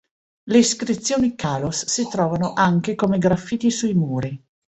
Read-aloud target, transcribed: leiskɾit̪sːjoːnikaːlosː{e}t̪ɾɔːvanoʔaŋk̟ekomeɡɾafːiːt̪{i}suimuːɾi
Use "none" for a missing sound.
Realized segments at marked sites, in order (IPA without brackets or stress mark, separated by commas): i, i